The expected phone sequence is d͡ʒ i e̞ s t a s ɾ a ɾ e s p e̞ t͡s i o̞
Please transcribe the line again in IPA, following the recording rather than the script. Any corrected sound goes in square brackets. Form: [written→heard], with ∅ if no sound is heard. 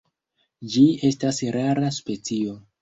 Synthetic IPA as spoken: d͡ʒ i e̞ s t a s ɾ a ɾ [e→a] s p e̞ t͡s i o̞